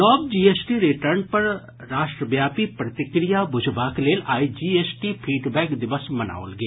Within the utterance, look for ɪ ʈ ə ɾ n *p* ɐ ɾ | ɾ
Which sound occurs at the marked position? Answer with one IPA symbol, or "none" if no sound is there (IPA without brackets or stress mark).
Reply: p